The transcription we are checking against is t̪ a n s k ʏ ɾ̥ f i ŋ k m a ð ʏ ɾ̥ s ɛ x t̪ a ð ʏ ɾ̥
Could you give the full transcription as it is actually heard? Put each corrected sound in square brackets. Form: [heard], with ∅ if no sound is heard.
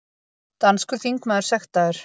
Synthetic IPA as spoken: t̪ a n s k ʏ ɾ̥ [θ] i ŋ k m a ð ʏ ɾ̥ s ɛ x t̪ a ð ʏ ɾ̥

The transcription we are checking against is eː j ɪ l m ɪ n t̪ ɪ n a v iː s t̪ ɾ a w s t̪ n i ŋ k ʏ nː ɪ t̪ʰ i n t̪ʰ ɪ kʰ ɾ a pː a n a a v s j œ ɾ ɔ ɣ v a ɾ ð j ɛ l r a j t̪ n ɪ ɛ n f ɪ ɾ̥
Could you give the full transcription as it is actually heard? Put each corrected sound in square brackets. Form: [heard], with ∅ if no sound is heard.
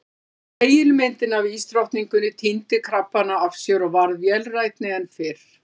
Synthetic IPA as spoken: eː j ɪ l m ɪ n t̪ ɪ n a v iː s t̪ ɾ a w [h] t̪ n i ŋ k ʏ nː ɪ t̪ʰ i n [t̪] ɪ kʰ ɾ a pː a n a a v s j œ ɾ ɔ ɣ v a ɾ ð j ɛ l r a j t̪ n ɪ ɛ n f ɪ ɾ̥

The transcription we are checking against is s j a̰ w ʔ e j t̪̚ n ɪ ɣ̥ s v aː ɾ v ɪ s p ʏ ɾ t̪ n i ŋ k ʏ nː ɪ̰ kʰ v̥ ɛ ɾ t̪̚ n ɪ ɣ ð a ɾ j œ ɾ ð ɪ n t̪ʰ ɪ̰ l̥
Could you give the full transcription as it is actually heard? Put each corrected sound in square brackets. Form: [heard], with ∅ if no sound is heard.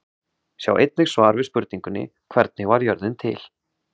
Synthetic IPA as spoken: s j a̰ w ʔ e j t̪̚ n ɪ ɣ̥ s v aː ɾ v ɪ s p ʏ ɾ t̪ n i ŋ k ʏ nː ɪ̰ kʰ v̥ ɛ ɾ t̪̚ n ɪ ɣ [v] a ɾ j œ ɾ ð ɪ n t̪ʰ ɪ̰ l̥

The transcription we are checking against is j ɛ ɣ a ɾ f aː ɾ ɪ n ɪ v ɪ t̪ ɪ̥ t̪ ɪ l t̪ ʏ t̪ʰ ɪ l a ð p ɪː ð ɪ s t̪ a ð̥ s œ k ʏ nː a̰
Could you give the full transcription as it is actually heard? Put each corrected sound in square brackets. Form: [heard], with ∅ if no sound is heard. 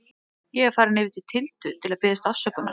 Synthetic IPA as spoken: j ɛ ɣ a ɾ f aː ɾ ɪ n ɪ v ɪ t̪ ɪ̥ [t̪ʰ] ɪ l t̪ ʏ t̪ʰ ɪ l a ð p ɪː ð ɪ s t̪ a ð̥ s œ k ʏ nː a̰

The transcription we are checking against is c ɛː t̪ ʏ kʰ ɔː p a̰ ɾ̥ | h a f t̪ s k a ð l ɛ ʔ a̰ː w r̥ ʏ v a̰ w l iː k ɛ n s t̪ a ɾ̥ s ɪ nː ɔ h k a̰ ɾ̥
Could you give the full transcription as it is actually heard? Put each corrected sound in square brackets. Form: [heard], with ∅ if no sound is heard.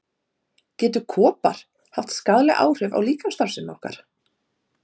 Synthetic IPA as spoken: c ɛː t̪ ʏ kʰ ɔː p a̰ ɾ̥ | h a f t̪ s k a ð l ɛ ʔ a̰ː w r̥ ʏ v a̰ w l iː k [a] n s t̪ a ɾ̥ s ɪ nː ɔ h k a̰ ɾ̥

